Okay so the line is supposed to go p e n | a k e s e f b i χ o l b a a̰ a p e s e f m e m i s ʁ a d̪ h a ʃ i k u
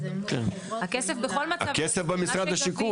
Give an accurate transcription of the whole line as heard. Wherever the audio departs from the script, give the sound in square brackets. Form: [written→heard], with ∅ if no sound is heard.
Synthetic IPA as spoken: [p→k] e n | a k e s e f b [i→e] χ o l [b→m] a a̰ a [p→k] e s e f [m→b] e m i s ʁ a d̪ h a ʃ i k u